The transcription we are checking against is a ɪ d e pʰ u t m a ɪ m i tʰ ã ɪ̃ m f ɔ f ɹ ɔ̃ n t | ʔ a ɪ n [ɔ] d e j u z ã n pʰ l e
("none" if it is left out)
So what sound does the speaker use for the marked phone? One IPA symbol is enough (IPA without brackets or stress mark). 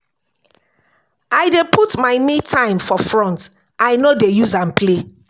o